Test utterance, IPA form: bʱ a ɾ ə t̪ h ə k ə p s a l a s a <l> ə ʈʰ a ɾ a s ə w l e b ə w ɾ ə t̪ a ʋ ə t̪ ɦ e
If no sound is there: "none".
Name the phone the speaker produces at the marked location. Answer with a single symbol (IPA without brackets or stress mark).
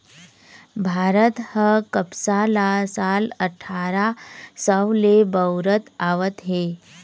l